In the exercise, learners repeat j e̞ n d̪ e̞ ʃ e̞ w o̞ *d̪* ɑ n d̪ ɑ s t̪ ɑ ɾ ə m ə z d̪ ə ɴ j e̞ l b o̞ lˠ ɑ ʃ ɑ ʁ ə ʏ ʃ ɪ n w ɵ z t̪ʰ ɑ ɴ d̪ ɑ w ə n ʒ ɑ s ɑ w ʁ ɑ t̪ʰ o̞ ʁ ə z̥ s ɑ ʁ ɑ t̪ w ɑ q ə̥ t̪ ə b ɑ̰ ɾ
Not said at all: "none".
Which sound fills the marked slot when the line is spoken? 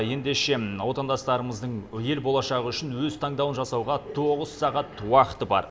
t̪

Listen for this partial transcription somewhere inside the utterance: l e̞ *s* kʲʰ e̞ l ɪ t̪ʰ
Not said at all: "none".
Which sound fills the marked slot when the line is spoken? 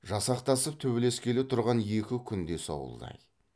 s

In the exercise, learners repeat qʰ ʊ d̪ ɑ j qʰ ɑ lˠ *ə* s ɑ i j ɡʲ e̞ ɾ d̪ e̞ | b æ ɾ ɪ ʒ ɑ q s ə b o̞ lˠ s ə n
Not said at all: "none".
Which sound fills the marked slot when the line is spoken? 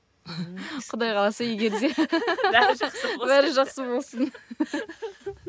ɑ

